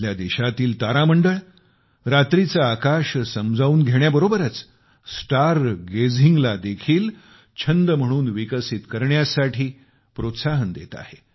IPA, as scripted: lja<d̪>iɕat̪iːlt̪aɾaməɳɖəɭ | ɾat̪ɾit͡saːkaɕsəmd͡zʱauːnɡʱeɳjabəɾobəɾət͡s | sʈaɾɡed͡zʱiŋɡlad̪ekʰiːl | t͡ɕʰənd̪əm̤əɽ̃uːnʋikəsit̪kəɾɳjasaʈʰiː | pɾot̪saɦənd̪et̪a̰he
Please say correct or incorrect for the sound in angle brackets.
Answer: correct